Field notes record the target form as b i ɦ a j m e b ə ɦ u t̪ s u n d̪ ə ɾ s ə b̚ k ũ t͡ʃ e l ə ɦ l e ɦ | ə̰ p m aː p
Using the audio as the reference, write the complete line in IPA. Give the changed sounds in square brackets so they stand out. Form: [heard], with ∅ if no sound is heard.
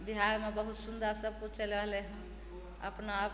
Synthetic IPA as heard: b i ɦ a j m e b ə ɦ u t̪ s u n d̪ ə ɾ s ə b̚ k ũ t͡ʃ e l ə ɦ l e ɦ | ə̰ p [n] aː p